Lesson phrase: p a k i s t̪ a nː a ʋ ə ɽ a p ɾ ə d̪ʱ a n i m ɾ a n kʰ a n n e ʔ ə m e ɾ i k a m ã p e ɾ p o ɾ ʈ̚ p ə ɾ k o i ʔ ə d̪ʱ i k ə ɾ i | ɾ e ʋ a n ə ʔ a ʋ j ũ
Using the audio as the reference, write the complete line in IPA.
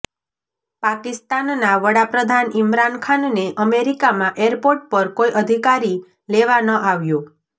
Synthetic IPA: p a k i s t̪ a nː a ʋ ə ɽ a p ɾ ə d̪ʱ a n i m ɾ a n kʰ a n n e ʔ ə m e ɾ i k a m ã ʔ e ɾ p o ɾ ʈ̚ p ə ɾ k o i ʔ ə d̪ʱ i k a ɾ i | l e ʋ a n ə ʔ a ʋ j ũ